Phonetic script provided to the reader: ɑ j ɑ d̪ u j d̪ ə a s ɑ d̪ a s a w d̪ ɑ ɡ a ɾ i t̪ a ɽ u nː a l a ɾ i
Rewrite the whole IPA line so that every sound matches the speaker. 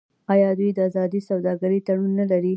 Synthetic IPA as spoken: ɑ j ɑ d̪ u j d̪ ə a z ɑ d̪ i s a w d̪ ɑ ɡ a ɾ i t̪ a ɽ u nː a l a ɾ i

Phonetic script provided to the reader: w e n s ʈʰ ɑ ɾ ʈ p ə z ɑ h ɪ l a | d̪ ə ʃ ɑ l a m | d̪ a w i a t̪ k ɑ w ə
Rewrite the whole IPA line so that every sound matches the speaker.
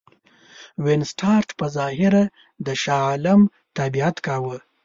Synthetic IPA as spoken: w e n s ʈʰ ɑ ɾ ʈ p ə z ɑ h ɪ ɾ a | d̪ ə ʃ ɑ l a m | t̪ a b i a t̪ k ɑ w ə

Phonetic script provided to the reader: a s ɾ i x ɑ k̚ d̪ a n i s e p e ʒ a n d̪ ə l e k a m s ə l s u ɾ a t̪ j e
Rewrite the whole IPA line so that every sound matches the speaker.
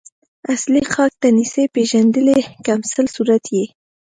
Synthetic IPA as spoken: a s l i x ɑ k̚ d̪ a n i s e p e ʒ a n d̪ ə l e k a m s ə l s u ɾ a t̪ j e

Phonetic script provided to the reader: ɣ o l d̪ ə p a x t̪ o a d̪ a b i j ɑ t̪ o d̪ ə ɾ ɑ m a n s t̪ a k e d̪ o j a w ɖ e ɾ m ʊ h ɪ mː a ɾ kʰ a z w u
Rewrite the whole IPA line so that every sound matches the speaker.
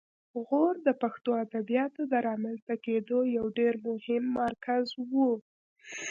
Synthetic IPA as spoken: ɣ o ɾ d̪ ə p a x t̪ o a d̪ a b i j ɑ t̪ o d̪ ə ɾ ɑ m a n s t̪ a k e d̪ o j a w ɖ e ɾ m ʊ h ɪ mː a ɾ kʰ a z w u

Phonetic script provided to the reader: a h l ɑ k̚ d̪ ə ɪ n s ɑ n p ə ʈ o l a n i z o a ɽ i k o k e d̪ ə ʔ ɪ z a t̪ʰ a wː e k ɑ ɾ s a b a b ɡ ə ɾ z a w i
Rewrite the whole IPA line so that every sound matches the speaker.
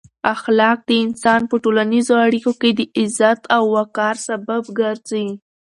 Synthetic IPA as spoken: a x l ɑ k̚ d̪ ə ɪ n s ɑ n p ə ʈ o l a n i z o a ɽ i k o k e d̪ ə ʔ ɪ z a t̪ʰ a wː a k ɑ ɾ s a b a b ɡ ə ɾ z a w i

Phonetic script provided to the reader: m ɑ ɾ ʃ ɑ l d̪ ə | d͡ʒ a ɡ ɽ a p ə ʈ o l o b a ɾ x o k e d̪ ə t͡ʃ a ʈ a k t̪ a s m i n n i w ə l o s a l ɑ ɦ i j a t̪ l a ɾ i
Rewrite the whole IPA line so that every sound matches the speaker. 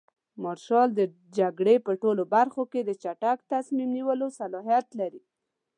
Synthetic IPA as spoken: m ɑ ɾ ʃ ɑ l d̪ ə | d͡ʒ a ɡ ɽ e p ə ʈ o l o b a ɾ x o k e d̪ ə t͡ʃ a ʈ a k t̪ a s m i m n i w ə l o s a l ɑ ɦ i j a t̪ l a ɾ i

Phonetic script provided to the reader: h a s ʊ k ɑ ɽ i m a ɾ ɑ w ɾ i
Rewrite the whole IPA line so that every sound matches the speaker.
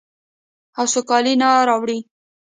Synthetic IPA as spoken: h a s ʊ k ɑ l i n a ɾ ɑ w ɽ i

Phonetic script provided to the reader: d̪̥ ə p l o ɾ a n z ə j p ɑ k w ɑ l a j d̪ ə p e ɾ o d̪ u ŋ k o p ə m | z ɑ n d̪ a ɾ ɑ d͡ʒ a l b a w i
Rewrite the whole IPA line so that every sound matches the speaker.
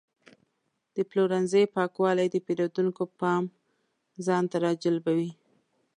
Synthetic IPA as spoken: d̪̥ ə p l o ɾ a n z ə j p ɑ k w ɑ l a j d̪ ə p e ɾ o d̪ u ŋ k o p ɑ m | z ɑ n t̪ a ɾ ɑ d͡ʒ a l b a w i

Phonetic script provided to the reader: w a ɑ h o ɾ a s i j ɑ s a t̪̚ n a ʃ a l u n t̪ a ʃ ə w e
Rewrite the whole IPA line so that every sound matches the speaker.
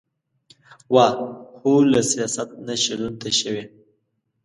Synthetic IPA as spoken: w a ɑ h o l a s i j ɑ s a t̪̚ n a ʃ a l u n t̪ a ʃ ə w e

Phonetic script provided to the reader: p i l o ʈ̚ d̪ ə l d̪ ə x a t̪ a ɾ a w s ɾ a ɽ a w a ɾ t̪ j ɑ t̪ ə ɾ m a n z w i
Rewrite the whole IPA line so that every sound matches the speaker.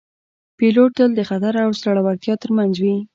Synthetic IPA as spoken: p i l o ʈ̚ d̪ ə l d̪ ə x a t̪ a ɾ a w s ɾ a ɽ a w a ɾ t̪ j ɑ t̪ ə ɾ m a n z w i

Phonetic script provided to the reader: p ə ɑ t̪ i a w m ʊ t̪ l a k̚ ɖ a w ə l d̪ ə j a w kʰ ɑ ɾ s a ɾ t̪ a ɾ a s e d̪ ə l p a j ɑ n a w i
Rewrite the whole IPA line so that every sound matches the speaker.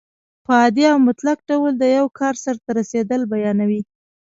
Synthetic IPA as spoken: p ə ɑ d̪ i a w m ʊ t̪ l a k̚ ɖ a w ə l d̪ ə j a w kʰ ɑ ɾ s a ɾ t̪ a ɾ a s e d̪ ə l b a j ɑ n a w i

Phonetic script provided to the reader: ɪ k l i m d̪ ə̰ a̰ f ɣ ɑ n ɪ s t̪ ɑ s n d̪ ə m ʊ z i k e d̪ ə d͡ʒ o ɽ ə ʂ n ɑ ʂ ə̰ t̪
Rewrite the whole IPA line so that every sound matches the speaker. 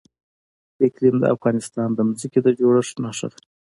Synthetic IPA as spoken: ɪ k l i m d̪ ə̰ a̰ f ɣ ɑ n ɪ s t̪ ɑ n d̪ ə m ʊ z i k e d̪ ə d͡ʒ o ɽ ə ʂ n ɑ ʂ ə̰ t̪

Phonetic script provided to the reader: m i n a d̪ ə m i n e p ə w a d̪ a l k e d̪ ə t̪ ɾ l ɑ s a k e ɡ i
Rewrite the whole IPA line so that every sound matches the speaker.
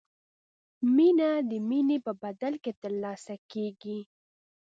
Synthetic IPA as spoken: m i n a d̪ ə m i n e p ə b a d̪ a l k e t̪ ə ɾ l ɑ s a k e ɡ i

